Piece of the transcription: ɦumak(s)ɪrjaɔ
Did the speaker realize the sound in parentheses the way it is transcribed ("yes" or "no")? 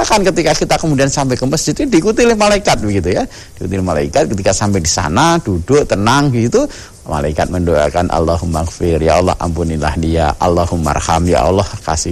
no